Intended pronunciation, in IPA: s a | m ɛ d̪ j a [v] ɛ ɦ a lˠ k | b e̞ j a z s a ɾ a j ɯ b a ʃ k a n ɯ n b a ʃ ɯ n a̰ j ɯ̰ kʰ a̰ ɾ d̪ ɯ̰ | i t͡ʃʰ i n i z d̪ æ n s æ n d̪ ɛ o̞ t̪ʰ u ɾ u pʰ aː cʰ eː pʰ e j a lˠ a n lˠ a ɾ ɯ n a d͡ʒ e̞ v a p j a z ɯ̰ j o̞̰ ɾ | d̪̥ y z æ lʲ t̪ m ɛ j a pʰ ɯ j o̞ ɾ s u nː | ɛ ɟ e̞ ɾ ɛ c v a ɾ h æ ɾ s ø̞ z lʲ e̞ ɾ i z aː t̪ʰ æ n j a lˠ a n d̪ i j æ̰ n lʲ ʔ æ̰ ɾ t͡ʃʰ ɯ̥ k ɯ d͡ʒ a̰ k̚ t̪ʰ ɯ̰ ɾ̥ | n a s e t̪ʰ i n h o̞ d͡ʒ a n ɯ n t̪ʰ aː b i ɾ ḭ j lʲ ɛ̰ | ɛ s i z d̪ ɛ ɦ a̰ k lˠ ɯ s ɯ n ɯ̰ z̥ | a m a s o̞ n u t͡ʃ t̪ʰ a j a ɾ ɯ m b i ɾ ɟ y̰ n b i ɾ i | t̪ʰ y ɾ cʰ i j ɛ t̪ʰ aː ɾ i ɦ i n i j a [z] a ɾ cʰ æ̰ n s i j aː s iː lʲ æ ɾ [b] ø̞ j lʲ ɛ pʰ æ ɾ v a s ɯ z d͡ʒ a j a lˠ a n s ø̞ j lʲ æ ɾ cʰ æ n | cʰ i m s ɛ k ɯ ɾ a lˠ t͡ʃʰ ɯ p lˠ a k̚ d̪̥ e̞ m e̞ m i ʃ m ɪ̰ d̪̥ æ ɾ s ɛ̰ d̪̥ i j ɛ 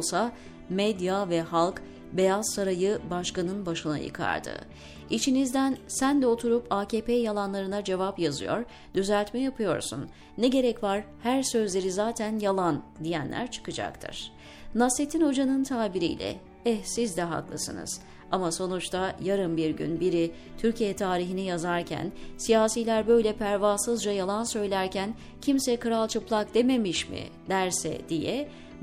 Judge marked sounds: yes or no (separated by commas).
yes, yes, yes